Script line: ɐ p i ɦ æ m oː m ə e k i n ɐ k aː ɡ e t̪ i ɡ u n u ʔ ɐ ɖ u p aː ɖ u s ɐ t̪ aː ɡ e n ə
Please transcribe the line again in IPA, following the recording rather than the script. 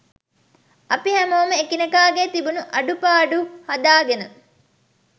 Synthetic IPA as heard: ɐ p i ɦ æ m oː m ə e k i n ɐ k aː ɡ e t̪ i b u n u ʔ ɐ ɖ u p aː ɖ u h ɐ d̪ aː ɡ e n ə